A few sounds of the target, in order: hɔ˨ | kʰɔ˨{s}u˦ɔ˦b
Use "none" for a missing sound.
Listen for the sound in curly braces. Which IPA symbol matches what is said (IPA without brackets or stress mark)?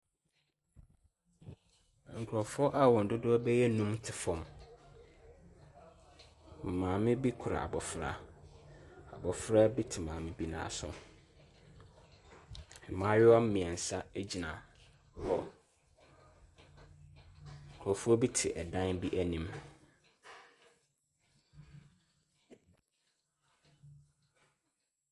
f